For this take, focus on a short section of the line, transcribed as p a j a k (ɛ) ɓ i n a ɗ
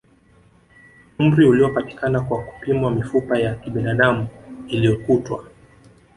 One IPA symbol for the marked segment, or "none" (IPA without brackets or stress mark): i